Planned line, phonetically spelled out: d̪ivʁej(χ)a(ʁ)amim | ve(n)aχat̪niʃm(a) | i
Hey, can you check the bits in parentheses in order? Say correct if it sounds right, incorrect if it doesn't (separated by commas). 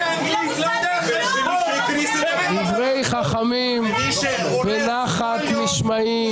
correct, incorrect, correct, correct